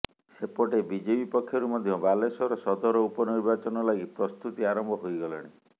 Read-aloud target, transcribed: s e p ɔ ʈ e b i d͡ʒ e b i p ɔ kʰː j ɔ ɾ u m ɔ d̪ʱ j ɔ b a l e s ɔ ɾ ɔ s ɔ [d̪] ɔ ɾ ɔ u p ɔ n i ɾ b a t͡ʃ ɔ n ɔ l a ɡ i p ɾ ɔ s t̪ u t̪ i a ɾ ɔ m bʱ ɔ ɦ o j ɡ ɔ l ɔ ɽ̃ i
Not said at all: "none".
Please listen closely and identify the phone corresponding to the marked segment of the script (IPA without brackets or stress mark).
d̪